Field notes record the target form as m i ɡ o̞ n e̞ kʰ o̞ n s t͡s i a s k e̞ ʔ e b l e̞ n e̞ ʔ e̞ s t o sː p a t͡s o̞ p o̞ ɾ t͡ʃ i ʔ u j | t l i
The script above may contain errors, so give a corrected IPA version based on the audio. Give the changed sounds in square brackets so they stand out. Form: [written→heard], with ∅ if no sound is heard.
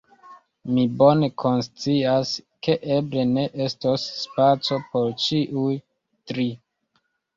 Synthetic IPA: m i [ɡ→b] o̞ n e̞ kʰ o̞ n s t͡s i a s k e̞ ʔ e b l e̞ n e̞ ʔ e̞ s t o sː p a t͡s o̞ p o̞ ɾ t͡ʃ i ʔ u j | t [l→ɾ] i